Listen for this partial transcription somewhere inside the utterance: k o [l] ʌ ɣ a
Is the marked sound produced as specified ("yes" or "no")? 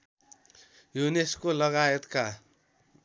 yes